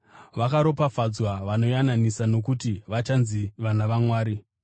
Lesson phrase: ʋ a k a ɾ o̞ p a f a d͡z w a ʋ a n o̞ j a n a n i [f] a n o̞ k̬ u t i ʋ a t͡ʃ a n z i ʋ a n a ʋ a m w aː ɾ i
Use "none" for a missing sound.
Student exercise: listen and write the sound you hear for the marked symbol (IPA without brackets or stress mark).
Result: s